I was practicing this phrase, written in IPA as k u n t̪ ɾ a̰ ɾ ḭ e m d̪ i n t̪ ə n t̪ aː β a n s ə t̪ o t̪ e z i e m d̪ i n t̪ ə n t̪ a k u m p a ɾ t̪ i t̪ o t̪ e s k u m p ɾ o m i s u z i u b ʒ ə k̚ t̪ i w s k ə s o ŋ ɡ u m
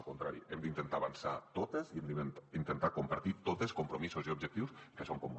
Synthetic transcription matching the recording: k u n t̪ ɾ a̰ ɾ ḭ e m d̪ i n t̪ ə n t̪ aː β a n s a t̪ o t̪ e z i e m d̪ i n t̪ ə n t̪ a k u m p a ɾ t̪ i t̪ o t̪ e s k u m p ɾ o m i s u z i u b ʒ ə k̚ t̪ i w s k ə s o ŋ k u m

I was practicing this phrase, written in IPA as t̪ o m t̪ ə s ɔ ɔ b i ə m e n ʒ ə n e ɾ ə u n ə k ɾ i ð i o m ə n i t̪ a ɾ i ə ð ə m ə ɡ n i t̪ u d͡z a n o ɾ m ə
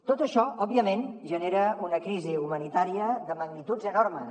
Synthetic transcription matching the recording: t̪ o t̪ ə ʃ ɔ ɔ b i ə m e n ʒ ə n e ɾ ə u n ə k ɾ i z i u m ə n i t̪ a ɾ i ə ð ə m ə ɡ n i t̪ u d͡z ə n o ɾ m ə

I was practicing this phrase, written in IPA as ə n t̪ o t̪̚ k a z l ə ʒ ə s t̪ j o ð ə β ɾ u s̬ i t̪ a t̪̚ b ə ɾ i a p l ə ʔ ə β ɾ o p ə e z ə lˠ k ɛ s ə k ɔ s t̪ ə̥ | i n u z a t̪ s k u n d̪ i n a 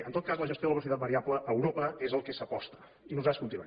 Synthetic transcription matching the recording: ə n t̪ o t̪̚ k a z l ə ʒ ə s t̪ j o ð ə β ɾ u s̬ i t̪ a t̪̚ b ə ɾ i a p l ə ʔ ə w ɾ o p ə e z ə lˠ k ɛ s ə p ɔ s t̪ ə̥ | i n u z a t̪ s k u n t̪ i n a

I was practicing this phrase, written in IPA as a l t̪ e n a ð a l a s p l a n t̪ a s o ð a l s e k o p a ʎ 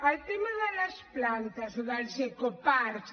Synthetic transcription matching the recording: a l t̪ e m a ð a l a s p l a n t̪ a s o ð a l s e k o p a ɾ

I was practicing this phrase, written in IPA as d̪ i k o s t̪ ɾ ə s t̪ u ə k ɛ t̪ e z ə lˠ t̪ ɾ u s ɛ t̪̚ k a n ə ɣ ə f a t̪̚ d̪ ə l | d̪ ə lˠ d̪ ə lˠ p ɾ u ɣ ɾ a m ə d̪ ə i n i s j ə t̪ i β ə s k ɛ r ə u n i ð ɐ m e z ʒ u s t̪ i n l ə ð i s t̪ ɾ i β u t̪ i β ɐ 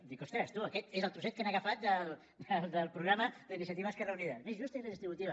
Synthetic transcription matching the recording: d̪ i k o s t̪ ɾ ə s t̪ u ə k ɛ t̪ e z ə lˠ t̪ ɾ u s ɛ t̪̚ k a n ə ɣ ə f a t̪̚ d̪ ə l | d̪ ə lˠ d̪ ə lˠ p ɾ u ɣ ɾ a m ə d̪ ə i n i s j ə t̪ i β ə s k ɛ r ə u n i ð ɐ m e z ʒ u s t̪ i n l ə ð i s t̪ ɾ i β u t̪ i β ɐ

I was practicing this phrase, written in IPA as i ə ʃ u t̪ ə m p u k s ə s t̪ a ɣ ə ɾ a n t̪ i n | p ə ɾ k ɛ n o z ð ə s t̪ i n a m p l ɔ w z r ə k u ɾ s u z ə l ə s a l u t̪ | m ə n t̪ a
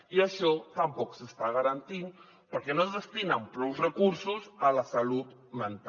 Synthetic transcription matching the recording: i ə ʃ ɔ t̪ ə m p ɔ k s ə s t̪ a ɣ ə ɾ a n t̪ i n | p ə ɾ k ɛ n o z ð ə s t̪ i n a m p ɾ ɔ w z r ə k u ɾ s u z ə l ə s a l u t̪ | m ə n t̪ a

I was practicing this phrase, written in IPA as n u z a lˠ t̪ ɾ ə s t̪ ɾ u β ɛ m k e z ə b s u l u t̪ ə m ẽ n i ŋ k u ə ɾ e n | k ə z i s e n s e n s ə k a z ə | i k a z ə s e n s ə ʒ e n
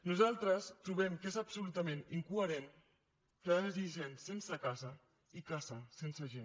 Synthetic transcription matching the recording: n u z a lˠ t̪ ɾ ə s t̪ ɾ u β ɛ m k e z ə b s u l u t̪ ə m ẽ n i ŋ k u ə ɾ e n | k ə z i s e n s e n s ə k a z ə | i k a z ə s e n s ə ʒ e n

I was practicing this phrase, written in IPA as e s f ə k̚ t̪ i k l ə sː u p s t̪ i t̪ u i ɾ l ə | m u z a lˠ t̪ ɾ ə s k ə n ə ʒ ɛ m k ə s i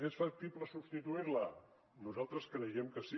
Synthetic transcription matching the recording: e s f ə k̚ t̪ i p l ə s u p s t̪ i t̪ u i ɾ l ə | n u z a lˠ t̪ ɾ ə s k ə n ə ʒ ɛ m k ə s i

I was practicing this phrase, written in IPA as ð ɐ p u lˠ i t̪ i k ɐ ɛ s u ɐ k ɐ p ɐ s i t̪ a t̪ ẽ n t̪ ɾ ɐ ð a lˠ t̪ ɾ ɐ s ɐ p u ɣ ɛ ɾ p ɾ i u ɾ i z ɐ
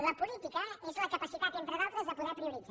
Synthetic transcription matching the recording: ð ɐ p u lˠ i t̪ i k ɐ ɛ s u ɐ k ɐ p ɐ s i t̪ a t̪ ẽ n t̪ ɾ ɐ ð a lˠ t̪ ɾ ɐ z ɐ p u ð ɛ ɾ p ɾ i u ɾ i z a

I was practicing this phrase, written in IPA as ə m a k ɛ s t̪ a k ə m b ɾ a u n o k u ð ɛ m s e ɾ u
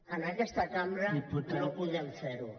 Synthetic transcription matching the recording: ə n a k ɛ s t̪ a k a m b ɾ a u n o p u ð ɛ m f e ɾ u

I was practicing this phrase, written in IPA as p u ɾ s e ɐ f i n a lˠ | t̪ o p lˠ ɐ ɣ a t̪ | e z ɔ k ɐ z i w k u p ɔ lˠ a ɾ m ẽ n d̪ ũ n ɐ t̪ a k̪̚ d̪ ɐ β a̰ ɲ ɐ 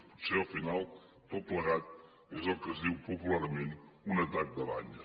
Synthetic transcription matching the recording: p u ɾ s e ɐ f i n a lˠ | t̪ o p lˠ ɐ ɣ a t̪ | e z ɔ k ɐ z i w p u p u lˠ a ɾ m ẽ n t̪ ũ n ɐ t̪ a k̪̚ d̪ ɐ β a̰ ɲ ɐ

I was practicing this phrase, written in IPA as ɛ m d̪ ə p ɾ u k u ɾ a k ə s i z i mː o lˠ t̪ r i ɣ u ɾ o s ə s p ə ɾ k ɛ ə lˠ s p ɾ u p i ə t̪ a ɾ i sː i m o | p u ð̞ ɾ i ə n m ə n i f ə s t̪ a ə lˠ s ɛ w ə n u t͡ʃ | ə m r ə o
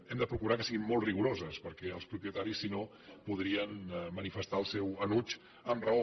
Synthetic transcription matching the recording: ɛ m d̪ ə p ɾ u k u ɾ a k ə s i ɣ i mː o lˠ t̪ r i ɣ u ɾ o z ə s p ə ɾ k ɛ ə lˠ s p ɾ u p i ə t̪ a ɾ i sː i n o | p u ð̞ ɾ i ə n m ə n i f ə s t̪ a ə lˠ s ɛ w ə n u t͡ʃ | ə m r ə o

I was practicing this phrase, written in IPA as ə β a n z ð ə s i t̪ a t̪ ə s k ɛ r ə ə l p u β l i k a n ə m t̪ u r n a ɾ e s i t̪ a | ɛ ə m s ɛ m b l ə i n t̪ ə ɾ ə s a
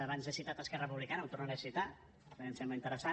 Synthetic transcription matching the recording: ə β a n z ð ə s i t̪ a t̪ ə s k ɛ r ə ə p u β l i k a n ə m t̪ u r n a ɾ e s i t̪ a | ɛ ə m s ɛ m b l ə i n t̪ ə ɾ ə s a

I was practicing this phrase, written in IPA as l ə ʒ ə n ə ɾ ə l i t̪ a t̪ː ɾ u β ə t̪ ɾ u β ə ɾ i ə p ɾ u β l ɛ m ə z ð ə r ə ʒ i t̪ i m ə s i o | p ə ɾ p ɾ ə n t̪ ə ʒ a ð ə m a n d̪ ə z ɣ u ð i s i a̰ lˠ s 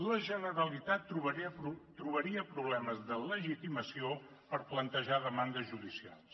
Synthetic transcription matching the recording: l ə ʒ ə n ə ɾ ə l i t̪ a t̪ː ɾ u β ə t̪ ɾ u β ə ɾ i ə p ɾ u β l ɛ m ə z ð ə l ə ʒ i t̪ i m ə s i o | p ə ɾ p l ə n t̪ ə ʒ a ð ə m a n d̪ ə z ʒ u ð i s i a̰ lˠ s

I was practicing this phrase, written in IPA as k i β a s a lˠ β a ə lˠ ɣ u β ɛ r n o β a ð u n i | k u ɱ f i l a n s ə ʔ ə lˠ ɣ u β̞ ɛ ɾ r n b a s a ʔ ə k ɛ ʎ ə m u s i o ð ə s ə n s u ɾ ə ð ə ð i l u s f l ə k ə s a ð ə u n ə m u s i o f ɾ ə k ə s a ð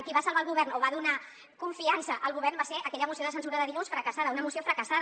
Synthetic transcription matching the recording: k i β a s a lˠ β a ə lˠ ɣ u β ɛ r n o β a ð u n a | k u ɱ f i a n s ə ʔ ə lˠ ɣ u β̞ ɛ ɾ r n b a s e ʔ ə k ɛ ʎ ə m u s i o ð ə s ə n s u ɾ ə ð ə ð i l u s f ɾ ə k ə s a ð ə u n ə m u s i o f ɾ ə k ə s a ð

